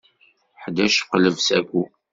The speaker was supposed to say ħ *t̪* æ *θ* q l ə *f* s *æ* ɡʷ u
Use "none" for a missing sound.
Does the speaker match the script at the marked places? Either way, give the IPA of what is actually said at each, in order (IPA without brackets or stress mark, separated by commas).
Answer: d̪, ʃ, v, æ